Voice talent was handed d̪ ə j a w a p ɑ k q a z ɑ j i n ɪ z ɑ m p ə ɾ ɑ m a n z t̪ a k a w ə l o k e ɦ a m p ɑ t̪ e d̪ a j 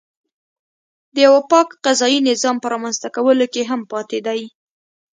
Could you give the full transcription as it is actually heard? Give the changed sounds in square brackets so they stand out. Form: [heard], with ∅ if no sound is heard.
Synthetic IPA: d̪ ə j a w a p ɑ k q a z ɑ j i n ɪ z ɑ m p ə ɾ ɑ m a n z t̪ a k a w ə l o k e ɦ a m p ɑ t̪ e d̪ a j